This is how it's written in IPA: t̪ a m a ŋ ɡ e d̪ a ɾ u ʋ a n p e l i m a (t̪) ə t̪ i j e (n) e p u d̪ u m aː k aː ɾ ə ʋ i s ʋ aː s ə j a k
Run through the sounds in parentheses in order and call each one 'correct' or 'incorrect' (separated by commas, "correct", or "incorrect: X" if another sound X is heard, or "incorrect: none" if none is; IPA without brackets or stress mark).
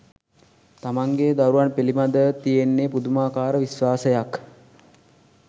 incorrect: d̪, incorrect: nː